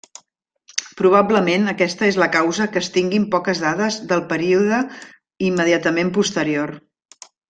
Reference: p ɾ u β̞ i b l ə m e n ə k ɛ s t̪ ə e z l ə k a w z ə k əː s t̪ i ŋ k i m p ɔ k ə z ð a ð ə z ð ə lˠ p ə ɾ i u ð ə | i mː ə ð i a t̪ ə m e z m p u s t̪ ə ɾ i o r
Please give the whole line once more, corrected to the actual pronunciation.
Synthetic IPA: p ɾ u β̞ a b l ə m e n ə k ɛ s t̪ ə e z l ə k a w z ə k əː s t̪ i ŋ ɡ i m p ɔ k ə z ð a ð ə z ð ə lˠ p ə ɾ i u ð ə | i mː ə ð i a t̪ ə m e m p u s t̪ ə ɾ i o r